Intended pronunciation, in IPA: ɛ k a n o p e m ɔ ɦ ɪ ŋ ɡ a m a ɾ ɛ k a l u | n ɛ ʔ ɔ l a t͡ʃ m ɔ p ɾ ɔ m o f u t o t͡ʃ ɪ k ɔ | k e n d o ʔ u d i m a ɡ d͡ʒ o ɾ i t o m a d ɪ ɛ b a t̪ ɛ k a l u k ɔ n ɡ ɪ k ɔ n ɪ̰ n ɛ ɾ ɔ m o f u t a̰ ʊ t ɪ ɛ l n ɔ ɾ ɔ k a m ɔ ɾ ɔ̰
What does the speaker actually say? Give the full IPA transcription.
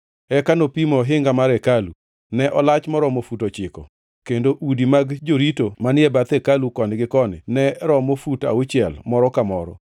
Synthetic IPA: ɛ k a n o p i m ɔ ɦ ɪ ŋ ɡ a m a ɾ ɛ k a l u | n ɛ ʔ ɔ l a t͡ʃ m ɔ ɾ ɔ m o f u t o t͡ʃ ɪ k ɔ | k e n d o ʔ u d i m a ɡ d͡ʒ o ɾ i t o m a n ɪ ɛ b a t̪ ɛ k a l u k ɔ n ɡ ɪ k ɔ n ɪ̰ n ɛ ɾ ɔ m o f u t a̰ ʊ t͡ʃ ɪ ɛ l m ɔ ɾ ɔ k a m ɔ ɾ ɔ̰